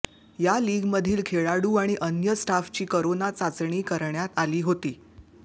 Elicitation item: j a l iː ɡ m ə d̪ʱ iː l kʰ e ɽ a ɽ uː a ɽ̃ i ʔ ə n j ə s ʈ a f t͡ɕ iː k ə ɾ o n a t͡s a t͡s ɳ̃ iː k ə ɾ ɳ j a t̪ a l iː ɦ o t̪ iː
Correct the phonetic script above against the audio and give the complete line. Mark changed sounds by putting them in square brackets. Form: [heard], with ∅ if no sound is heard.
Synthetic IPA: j a l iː ɡ m ə d̪ʱ iː l kʰ e [ɭ] a ɽ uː a ɽ̃ i ʔ ə n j ə s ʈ a f t͡ɕ iː k ə ɾ o n a t͡s a t͡s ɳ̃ iː k ə ɾ ɳ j a t̪ a l iː ɦ o t̪ iː